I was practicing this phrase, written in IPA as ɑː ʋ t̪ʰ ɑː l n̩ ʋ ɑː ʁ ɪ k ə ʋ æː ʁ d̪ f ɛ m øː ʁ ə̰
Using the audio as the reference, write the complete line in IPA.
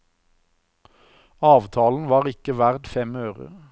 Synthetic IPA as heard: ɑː ʋ t̪ʰ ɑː l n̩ ʋ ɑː ʁ ɪ k ə ʋ æ ʁ d̪ f ɛ m øː ʁ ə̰

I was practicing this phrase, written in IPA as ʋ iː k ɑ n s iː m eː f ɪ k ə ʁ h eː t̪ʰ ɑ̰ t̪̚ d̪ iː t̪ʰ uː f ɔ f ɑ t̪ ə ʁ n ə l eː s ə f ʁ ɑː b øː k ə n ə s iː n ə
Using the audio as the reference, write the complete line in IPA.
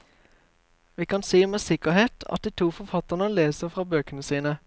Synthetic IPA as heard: ʋ iː k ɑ n s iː m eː s ɪ k ə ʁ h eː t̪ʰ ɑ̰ t̪̚ d̪ iː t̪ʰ uː f ɔ f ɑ t̪ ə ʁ n ə l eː s ə f ʁ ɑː b øː k ə n ə s iː n ə

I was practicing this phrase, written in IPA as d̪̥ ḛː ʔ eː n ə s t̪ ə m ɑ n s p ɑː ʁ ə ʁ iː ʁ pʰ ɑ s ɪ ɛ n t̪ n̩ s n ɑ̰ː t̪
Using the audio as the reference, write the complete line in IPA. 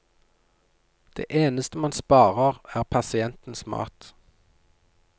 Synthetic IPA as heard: d̪̥ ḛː ʔ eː n ə s t̪ ə m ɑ n s p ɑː ʁ ə ʁ æː ʁ pʰ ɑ s ɪ ɛ n t̪ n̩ s m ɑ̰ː t̪

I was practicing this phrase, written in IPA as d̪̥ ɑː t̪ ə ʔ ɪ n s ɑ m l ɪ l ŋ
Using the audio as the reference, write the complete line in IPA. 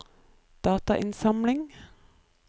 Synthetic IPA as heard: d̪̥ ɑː t̪ ɑ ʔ ɪ n s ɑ m l ɪ ŋ

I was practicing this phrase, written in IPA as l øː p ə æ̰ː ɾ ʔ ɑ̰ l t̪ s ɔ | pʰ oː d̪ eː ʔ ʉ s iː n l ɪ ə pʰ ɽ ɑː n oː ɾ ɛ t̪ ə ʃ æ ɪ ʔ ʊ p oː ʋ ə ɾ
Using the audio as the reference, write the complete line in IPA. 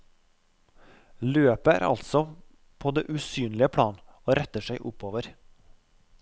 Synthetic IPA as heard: l øː p ə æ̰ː ɾ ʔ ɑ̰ l t̪ s ɔ | pʰ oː d̪ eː ʔ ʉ s yː n l ɪ ə pʰ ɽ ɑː n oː ɾ ɛ t̪ ə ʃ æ ɪ ʔ ʊ p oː ʋ ə ɾ

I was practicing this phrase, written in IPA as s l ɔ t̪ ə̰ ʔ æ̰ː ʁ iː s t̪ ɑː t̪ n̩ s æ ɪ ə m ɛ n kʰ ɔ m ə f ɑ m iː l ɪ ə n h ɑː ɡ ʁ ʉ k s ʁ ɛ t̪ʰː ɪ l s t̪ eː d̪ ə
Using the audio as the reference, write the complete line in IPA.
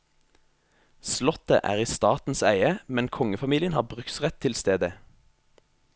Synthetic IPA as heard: s l ɔ t̪ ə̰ ʔ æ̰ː ʁ iː s t̪ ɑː t̪ n̩ s æ ɪ ə m ɛ n kʰ ɔ ŋ ə f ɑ m iː l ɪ ə n h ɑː b ʁ ʉ k s ʁ ɛ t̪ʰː ɪ l s t̪ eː d̪ ə

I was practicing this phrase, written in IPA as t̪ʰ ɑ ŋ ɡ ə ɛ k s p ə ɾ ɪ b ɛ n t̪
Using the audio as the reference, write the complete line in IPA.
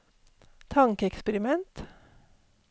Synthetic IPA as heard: t̪ʰ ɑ ŋ k ə ɛ k s p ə ɾ ɪ m ɛ n t̪

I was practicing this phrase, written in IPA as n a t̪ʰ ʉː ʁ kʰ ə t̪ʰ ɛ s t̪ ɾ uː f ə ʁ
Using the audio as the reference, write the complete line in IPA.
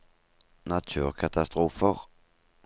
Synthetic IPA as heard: n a t̪ʰ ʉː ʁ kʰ a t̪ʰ a s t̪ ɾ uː f ə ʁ

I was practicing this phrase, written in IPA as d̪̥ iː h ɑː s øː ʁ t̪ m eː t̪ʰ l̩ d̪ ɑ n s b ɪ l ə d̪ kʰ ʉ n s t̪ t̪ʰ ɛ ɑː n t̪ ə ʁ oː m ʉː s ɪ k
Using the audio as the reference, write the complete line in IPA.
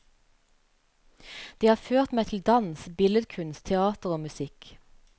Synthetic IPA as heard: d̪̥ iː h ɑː f øː ʁ t̪ m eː t̪ʰ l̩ d̪ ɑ n s b ɪ l ə d̪ kʰ ʉ n s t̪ t̪ʰ ɛ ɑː t̪ ə ʁ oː m ʉ s ɪ k

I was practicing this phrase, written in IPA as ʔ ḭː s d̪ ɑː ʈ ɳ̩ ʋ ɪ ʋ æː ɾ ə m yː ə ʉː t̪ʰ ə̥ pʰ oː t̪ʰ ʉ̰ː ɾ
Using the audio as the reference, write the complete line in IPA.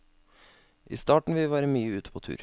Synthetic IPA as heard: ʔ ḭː s t̪ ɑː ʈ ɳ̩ ʋ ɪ ʋ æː ɾ ə m yː ə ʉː t̪ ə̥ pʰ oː t̪ʰ ʉ̰ː ɾ

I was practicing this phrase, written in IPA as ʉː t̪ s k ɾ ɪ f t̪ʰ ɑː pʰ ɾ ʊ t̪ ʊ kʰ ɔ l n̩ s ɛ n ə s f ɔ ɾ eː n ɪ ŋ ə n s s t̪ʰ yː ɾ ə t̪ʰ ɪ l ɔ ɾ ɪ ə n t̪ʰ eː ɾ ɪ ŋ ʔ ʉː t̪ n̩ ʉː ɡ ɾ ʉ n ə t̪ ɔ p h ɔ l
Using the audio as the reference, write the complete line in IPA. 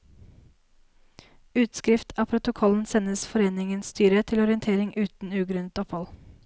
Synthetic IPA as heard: ʉː t̪ s k ɾ ɪ f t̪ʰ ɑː pʰ ɾ ʊ t̪ ʊ kʰ ɔ l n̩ s ɛ n ə s f ɔ ɾ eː n ɪ ŋ ə n s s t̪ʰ yː ɾ ə t̪ʰ ɪ l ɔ ɾ ɪ ə n t̪ʰ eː ɾ ɪ ŋ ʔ ʉː t̪ n̩ ʉː ɡ ɾ ʉ n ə t̪ ɔ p h ɔ l

